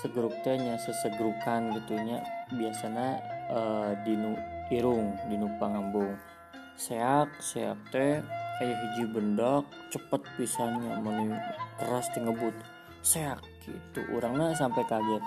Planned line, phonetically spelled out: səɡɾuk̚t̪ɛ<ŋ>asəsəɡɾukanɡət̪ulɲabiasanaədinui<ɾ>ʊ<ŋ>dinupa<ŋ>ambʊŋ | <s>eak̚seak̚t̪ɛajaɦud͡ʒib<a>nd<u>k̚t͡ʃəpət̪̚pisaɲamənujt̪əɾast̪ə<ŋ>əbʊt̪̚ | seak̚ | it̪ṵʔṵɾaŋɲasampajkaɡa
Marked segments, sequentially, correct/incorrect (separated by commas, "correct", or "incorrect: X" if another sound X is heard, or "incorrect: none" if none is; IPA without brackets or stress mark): incorrect: ɲ, correct, correct, correct, correct, incorrect: ə, incorrect: ɔ, correct